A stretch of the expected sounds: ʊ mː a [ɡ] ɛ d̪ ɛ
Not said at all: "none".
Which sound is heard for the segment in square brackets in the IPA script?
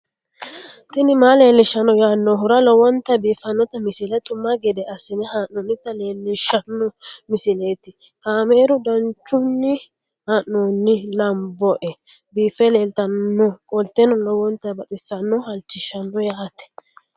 ɡ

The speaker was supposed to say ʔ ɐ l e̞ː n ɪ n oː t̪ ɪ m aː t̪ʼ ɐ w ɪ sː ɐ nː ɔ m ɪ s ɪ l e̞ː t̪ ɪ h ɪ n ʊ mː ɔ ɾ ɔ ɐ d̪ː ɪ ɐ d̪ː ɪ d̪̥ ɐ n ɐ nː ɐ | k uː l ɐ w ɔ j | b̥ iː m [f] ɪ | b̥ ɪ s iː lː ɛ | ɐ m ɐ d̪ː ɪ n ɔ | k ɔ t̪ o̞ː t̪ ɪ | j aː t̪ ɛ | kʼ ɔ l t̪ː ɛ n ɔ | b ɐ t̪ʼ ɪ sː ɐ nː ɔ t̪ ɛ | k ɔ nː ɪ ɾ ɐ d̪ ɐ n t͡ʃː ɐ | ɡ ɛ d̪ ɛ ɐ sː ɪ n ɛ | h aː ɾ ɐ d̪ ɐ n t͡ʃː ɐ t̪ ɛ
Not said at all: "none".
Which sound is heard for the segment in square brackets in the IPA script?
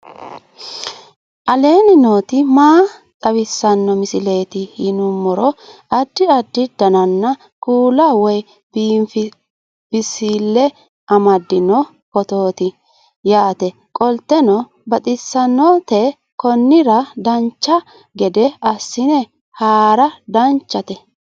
f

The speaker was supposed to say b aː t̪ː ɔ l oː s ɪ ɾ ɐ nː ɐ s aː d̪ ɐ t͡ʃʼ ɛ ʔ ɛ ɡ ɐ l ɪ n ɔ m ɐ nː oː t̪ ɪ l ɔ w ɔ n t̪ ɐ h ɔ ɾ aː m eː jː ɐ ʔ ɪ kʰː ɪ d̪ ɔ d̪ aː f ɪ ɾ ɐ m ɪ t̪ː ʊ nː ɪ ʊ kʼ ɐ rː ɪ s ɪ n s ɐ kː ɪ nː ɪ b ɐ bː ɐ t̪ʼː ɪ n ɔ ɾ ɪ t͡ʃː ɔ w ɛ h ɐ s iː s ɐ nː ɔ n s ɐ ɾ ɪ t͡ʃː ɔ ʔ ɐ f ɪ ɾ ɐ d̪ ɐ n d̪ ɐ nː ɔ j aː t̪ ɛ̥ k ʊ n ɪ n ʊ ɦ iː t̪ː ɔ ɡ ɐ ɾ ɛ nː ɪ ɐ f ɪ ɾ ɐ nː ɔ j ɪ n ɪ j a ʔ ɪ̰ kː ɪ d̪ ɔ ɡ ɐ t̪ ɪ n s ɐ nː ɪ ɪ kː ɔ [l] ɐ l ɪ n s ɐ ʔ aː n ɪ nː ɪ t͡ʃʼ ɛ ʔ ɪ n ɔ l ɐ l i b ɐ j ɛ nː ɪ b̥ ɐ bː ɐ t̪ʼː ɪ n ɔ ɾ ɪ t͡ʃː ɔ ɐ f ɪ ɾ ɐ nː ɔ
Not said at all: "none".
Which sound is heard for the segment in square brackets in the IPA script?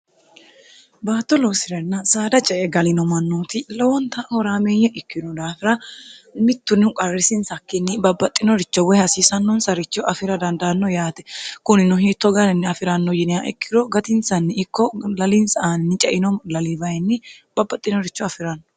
l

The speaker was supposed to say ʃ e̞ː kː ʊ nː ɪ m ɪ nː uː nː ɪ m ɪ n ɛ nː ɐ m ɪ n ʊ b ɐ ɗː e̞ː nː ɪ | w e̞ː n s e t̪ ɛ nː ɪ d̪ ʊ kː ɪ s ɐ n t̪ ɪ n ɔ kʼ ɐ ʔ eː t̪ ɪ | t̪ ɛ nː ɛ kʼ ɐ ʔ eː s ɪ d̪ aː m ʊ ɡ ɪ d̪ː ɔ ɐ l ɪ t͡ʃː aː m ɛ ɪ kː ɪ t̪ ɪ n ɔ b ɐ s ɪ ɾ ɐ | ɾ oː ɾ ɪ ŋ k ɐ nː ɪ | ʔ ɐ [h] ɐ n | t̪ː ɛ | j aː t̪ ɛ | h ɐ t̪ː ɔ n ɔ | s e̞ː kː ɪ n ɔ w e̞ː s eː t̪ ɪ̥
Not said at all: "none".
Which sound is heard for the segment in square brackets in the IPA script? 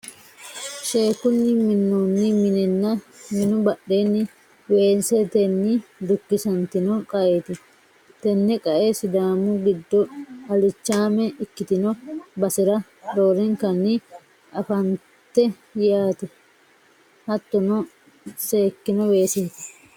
f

